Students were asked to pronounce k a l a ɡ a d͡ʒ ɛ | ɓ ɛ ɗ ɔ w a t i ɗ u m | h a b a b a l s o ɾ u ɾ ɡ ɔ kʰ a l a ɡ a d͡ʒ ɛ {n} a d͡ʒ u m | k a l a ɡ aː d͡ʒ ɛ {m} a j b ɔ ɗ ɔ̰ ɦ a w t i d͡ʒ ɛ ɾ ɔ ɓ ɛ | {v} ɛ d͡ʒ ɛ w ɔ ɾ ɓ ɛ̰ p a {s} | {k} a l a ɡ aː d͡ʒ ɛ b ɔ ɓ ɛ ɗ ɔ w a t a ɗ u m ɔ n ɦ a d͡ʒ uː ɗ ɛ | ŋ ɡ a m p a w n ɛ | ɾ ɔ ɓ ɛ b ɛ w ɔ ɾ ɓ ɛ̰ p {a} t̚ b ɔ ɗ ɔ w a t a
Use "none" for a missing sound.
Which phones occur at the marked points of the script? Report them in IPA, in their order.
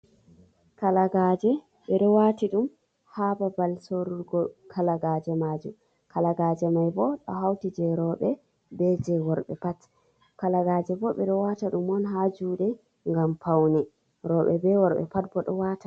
m, m, b, t, k, a

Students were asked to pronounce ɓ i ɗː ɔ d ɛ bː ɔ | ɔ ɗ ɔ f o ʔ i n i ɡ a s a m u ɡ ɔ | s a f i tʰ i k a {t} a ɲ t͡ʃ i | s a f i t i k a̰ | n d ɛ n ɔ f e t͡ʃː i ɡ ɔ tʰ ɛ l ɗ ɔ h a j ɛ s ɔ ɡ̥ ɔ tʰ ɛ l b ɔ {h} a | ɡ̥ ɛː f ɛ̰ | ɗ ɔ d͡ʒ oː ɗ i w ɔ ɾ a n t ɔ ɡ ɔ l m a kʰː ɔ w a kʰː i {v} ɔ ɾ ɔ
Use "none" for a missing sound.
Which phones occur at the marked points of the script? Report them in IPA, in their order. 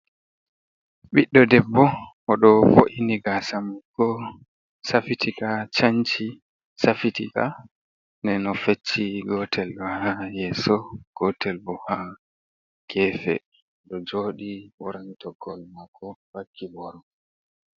t͡ʃ, h, b

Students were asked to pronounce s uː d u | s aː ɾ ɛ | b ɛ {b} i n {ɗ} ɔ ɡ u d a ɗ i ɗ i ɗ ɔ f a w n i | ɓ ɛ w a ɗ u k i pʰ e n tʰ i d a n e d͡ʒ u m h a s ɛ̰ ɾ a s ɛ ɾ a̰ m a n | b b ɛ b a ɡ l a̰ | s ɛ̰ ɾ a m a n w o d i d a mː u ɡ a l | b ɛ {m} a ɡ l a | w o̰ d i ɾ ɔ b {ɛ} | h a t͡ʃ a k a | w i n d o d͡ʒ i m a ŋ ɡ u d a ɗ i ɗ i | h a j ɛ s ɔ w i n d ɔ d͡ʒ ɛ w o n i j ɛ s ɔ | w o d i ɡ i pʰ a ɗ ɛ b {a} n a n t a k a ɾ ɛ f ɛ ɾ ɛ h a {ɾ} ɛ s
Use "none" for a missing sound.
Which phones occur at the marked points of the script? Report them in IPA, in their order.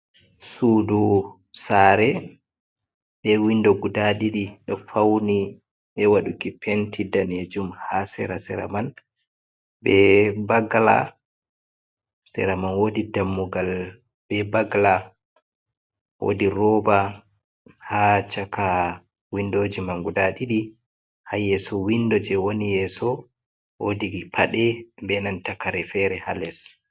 w, d, b, a, ɛ, l

